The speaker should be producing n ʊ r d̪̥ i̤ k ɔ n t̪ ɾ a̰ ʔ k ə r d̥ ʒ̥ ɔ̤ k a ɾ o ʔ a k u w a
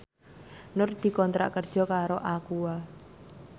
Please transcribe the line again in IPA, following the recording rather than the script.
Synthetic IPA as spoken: n ʊ r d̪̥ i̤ k ɔ n t̪ ɾ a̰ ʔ k ə r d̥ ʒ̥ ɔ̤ k a ɾ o ʔ a k u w a